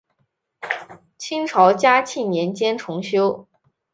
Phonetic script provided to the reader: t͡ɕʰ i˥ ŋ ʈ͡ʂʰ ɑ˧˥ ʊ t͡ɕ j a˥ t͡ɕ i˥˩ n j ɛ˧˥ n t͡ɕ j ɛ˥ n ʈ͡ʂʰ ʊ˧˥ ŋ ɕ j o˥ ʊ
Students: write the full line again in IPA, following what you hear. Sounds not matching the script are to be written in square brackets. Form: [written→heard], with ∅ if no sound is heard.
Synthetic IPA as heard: t͡ɕʰ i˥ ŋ ʈ͡ʂʰ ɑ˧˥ ʊ t͡ɕ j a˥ [t͡ɕ→t͡ɕʰ] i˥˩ n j ɛ˧˥ n t͡ɕ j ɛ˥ n ʈ͡ʂʰ ʊ˧˥ ŋ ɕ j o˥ ʊ